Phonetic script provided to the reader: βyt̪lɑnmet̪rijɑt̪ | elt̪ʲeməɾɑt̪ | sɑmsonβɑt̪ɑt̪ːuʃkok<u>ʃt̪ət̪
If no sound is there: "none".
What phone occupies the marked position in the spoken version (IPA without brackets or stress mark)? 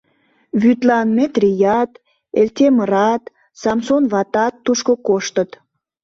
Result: o